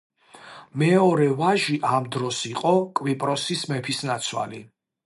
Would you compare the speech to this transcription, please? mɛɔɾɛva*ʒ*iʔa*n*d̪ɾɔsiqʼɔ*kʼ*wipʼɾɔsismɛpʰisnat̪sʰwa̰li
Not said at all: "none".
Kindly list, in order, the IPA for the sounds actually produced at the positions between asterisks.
ʒ, m, kʼ

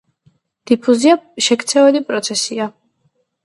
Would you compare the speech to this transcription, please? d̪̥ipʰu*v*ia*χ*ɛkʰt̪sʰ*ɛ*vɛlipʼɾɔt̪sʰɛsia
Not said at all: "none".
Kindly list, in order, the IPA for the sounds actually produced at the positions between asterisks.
z, ʃ, ɛ

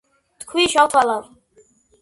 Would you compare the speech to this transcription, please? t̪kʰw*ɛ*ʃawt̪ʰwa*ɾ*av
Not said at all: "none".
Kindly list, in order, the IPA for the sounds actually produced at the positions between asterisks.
i, l

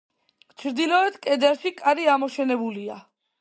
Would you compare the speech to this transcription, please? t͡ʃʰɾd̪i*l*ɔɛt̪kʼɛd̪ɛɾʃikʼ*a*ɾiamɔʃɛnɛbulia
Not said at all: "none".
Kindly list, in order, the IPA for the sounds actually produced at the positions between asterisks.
l, a

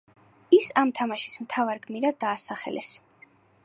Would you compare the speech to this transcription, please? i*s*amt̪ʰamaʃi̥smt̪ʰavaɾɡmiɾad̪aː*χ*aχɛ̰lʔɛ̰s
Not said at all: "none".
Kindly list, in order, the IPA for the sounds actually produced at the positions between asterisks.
s, s

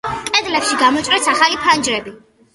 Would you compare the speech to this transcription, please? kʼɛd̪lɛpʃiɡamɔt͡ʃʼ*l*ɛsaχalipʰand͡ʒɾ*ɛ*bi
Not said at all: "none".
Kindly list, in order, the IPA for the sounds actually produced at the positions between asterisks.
ɾ, ɛ

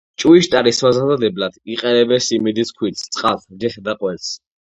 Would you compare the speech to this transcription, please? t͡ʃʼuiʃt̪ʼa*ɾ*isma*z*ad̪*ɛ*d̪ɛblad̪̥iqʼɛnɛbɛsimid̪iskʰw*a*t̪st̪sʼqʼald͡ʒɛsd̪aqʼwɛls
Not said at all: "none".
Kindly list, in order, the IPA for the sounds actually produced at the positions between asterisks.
ɾ, z, a, i

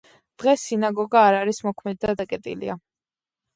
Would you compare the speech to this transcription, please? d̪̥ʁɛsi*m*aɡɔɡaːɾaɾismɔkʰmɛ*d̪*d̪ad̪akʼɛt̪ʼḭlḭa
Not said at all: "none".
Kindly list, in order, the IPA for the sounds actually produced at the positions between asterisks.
n, d̪

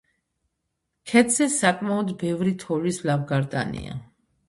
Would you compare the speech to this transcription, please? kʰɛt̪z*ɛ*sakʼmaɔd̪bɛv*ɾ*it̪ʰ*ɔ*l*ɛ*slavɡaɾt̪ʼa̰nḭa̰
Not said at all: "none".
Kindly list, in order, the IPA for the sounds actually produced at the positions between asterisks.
ɛ, ɾ, ɔ, i

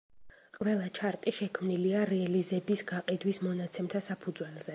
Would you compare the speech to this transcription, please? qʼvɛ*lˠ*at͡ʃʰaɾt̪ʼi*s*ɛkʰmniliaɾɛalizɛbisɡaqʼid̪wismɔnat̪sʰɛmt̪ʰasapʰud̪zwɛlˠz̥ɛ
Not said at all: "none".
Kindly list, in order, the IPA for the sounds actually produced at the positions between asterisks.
lˠ, ʃ

